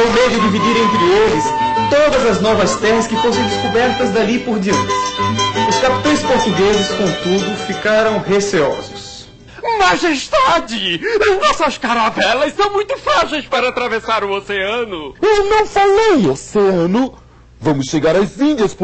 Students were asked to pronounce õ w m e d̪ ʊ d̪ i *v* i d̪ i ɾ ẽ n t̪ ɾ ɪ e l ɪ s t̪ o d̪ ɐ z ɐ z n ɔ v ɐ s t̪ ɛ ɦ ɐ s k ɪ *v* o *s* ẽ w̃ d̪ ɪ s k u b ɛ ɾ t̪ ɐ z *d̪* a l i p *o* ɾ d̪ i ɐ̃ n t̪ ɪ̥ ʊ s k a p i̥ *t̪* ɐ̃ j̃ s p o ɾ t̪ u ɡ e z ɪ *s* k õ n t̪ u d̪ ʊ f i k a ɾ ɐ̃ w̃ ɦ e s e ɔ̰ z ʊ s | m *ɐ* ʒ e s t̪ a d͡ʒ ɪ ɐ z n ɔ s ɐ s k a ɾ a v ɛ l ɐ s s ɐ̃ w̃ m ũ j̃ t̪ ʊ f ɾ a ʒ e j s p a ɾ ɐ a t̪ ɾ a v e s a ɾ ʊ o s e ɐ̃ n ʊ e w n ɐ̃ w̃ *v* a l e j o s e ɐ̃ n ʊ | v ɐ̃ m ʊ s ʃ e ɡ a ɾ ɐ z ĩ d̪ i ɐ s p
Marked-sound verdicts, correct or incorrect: correct, incorrect: f, correct, correct, correct, correct, correct, incorrect: a, incorrect: f

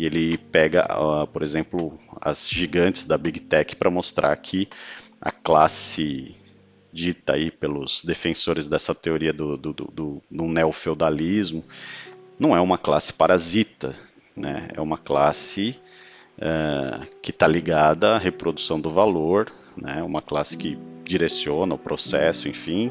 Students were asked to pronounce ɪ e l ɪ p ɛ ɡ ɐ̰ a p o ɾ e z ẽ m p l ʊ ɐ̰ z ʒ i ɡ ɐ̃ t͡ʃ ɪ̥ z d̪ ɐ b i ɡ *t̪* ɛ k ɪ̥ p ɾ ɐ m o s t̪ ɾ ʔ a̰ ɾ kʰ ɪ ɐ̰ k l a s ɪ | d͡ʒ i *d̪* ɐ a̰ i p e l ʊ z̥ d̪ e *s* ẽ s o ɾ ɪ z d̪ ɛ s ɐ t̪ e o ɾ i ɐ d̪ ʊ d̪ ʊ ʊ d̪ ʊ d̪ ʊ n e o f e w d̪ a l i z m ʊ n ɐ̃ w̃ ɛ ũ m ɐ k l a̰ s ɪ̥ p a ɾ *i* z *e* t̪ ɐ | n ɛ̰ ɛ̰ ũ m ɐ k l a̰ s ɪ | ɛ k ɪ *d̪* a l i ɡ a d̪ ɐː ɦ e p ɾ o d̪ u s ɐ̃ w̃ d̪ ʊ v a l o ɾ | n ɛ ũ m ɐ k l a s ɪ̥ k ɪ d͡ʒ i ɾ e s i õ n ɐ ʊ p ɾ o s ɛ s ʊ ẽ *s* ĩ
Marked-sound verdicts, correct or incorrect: correct, incorrect: t̪, incorrect: f, incorrect: a, incorrect: i, incorrect: t̪, incorrect: f

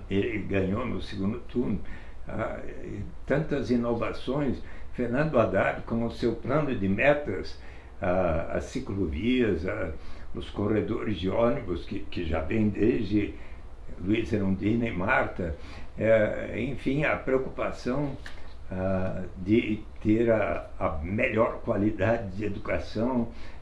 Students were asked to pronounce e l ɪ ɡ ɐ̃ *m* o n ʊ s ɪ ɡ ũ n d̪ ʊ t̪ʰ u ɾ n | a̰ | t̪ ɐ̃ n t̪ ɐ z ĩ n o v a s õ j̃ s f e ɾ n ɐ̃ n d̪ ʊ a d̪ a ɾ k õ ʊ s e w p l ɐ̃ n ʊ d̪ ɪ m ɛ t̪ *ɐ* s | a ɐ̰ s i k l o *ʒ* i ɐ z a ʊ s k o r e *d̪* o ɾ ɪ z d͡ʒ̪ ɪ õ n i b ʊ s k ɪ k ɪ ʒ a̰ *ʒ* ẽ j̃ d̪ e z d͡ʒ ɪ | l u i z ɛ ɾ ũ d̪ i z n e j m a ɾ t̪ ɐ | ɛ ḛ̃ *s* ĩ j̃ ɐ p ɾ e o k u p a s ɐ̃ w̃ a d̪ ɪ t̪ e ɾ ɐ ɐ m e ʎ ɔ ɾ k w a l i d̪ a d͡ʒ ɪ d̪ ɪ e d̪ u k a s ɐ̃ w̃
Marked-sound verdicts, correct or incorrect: incorrect: ɲ, correct, incorrect: v, correct, incorrect: v, incorrect: f

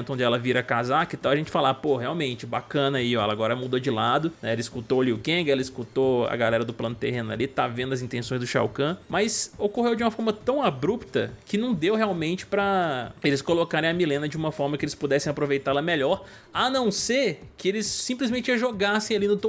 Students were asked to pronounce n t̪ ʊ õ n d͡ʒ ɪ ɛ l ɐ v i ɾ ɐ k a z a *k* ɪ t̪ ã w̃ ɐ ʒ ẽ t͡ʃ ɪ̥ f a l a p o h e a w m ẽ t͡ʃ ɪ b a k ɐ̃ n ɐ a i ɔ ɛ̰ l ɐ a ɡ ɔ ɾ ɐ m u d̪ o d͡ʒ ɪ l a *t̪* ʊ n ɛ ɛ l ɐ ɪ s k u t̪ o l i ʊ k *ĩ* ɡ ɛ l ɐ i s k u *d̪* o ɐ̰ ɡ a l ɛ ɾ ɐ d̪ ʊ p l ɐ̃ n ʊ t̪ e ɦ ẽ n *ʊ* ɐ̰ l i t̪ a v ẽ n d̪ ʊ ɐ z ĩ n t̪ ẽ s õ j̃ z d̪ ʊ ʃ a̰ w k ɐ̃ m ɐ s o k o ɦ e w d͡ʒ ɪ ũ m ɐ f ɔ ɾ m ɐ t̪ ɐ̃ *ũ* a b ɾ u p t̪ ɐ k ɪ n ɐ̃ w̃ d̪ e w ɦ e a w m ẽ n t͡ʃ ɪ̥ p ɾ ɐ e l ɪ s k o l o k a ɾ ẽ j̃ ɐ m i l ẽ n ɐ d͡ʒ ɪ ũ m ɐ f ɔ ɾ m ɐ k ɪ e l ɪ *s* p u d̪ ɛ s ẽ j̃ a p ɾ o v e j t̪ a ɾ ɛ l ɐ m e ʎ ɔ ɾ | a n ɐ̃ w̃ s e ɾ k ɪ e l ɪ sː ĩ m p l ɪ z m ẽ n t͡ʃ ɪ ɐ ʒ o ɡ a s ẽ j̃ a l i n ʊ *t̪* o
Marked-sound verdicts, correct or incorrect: correct, incorrect: d̪, incorrect: ẽ, incorrect: t̪, correct, incorrect: w̃, correct, correct

